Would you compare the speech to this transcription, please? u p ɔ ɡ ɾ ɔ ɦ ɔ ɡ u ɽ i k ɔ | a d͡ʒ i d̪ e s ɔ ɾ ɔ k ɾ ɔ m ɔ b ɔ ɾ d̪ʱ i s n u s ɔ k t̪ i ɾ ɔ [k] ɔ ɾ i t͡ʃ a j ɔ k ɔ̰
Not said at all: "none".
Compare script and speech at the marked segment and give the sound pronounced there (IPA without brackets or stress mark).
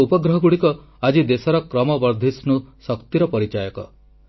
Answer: p